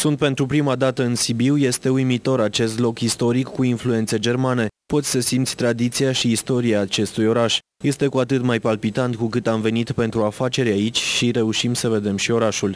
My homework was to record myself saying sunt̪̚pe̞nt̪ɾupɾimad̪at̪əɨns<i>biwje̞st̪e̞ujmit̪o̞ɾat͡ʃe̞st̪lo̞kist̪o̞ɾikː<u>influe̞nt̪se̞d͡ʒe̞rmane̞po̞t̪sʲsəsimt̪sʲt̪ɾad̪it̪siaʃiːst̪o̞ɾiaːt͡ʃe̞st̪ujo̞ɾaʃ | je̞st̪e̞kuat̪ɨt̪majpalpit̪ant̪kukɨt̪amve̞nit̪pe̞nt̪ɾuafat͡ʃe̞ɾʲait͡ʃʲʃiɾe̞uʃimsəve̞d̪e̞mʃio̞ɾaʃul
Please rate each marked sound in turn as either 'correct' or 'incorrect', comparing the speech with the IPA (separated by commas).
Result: correct, correct